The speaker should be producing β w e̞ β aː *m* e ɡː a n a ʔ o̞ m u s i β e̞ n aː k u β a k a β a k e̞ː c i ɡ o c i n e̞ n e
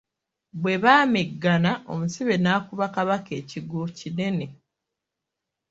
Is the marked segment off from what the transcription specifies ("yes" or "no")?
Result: no